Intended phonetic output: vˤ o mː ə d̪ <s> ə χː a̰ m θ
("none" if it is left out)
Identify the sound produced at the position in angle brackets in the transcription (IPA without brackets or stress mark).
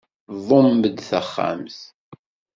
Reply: θ